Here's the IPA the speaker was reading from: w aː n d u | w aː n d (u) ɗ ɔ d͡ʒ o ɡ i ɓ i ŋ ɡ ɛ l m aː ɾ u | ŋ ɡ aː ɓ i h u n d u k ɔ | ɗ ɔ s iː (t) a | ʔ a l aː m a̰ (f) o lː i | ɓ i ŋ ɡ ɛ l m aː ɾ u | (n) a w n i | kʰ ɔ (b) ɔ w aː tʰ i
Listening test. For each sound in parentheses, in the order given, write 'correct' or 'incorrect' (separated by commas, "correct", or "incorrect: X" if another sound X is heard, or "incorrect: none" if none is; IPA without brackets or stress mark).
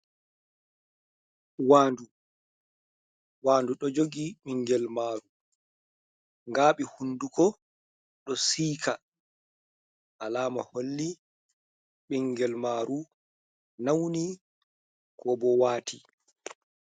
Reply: correct, incorrect: k, incorrect: h, correct, correct